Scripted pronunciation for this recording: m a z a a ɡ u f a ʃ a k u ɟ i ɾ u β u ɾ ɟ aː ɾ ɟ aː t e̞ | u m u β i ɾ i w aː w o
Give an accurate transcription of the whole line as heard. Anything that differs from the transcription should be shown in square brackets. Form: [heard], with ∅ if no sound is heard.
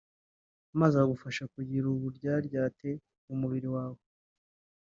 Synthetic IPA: m a z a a ɡ u f a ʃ a k u ɟ i ɾ u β u ɾ ɟ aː ɾ ɟ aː t e̞ | u m u β i ɾ i w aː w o